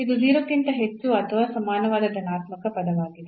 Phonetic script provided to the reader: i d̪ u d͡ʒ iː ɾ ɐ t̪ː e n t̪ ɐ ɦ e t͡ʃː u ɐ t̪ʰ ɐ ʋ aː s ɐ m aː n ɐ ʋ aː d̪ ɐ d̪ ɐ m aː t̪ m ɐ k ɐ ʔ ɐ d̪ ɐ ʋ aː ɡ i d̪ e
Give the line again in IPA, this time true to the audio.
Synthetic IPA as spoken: i d̪ u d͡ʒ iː ɾ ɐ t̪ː i n t̪ ɐ ɦ e t͡ʃː u ɐ t̪ʰ ɐ ʋ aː s ɐ m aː n ɐ ʋ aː d̪ ɐ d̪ ɐ n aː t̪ m ɐ k ɐ p ɐ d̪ ɐ ʋ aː ɡ i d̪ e